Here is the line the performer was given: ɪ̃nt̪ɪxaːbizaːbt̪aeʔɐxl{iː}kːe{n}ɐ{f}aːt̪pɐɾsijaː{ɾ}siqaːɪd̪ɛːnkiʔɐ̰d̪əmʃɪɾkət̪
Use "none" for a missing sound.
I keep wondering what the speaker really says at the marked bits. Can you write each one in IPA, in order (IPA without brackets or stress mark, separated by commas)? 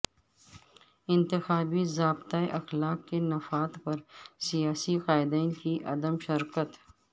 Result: aː, n, f, none